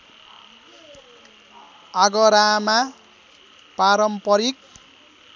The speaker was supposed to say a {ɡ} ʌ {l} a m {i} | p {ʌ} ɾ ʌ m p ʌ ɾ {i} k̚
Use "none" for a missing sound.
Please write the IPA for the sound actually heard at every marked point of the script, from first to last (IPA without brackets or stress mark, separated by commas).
ɡ, ɾ, a, a, i